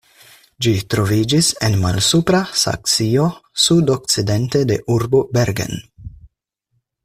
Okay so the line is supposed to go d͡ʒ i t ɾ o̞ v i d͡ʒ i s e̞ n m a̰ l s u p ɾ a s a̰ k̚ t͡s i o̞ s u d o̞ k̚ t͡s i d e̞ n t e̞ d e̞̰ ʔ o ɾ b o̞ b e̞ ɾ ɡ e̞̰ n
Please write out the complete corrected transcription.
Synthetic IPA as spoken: d͡ʒ i t ɾ o̞ v i d͡ʒ i s e̞ n m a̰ l s u p ɾ a s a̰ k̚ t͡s i o̞ s u d o̞ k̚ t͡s i d e̞ n t e̞ d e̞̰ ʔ u ɾ b o̞ b e̞ ɾ ɡ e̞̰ n